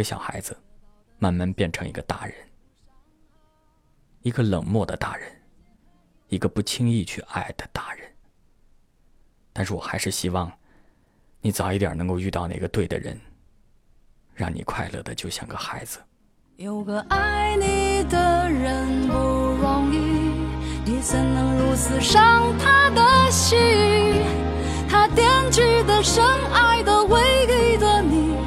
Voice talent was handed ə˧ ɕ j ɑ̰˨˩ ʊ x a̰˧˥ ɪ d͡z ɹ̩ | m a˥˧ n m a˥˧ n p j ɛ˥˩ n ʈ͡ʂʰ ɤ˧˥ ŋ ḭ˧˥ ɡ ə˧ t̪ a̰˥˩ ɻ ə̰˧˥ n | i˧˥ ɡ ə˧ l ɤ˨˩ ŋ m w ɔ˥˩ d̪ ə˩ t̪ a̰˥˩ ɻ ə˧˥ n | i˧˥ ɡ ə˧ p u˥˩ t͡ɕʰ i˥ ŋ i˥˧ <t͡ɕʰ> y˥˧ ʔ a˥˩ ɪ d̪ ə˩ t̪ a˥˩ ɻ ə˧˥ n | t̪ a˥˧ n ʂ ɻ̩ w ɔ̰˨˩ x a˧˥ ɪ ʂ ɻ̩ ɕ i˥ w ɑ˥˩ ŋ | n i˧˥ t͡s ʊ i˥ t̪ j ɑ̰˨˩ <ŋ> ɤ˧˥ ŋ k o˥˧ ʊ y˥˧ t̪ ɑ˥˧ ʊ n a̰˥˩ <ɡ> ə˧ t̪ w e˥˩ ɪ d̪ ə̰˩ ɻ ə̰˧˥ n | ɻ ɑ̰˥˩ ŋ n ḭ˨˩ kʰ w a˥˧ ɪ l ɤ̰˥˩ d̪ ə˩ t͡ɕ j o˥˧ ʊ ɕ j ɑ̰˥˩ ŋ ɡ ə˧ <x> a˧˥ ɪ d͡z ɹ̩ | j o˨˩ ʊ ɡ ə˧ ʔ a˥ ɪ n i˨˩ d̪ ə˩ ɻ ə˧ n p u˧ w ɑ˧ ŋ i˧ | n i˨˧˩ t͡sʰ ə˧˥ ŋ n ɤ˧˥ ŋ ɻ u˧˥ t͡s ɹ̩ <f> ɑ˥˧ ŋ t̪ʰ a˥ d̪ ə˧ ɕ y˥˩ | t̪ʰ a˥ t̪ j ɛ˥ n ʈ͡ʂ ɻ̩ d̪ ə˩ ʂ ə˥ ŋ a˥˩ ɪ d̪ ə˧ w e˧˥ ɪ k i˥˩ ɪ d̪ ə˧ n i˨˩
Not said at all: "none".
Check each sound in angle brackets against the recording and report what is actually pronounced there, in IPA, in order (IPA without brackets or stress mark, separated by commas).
t͡ɕʰ, n, ɡ, x, ʂ